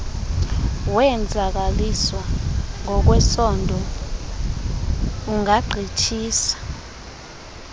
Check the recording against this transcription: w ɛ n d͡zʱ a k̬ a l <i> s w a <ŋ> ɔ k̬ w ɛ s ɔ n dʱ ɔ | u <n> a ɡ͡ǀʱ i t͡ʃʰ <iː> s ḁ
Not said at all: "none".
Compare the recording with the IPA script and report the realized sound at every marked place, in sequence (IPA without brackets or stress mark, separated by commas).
i, ŋ, ŋ, iː